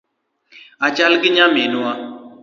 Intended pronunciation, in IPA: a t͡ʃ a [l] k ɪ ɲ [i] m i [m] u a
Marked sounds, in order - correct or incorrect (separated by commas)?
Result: correct, incorrect, incorrect